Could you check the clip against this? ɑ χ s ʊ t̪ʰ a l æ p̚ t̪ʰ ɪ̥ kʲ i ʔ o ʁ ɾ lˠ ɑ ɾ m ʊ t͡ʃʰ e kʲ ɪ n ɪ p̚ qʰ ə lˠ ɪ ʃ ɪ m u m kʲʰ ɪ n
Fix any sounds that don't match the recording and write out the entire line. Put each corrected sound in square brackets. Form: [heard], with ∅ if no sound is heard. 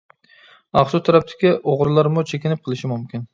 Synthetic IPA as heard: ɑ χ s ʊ t̪ʰ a [ɾ] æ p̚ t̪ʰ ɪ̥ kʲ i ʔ o ʁ ɾ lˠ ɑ ɾ m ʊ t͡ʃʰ e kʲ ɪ n ɪ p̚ qʰ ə lˠ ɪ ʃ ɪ m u m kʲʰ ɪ n